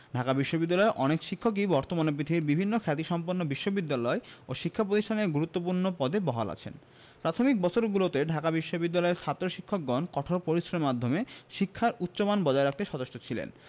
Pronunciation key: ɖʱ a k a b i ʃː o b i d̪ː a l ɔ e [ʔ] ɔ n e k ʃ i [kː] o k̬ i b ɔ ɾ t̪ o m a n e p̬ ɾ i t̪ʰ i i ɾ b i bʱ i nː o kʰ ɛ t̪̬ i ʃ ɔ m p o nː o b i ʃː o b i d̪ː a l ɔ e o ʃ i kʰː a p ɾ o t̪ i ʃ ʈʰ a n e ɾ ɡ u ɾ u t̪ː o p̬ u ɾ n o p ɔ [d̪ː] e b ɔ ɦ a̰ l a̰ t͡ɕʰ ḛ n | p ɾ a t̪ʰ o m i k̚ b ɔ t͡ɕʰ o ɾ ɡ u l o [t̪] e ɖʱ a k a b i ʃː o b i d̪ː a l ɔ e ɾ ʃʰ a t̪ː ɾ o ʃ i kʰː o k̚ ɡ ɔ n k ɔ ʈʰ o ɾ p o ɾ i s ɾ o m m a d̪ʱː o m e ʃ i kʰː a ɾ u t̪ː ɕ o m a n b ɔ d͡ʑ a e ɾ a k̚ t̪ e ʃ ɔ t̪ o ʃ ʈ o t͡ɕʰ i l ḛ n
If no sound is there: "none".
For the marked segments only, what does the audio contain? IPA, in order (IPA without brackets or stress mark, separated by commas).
ʔ, kʰː, d̪, t̪